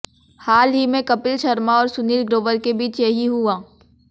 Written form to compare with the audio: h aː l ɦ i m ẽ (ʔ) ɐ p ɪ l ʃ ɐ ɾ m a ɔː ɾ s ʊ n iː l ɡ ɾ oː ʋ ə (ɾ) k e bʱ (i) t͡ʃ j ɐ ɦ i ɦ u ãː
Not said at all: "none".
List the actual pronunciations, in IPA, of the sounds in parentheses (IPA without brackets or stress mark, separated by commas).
k, ɾ, iː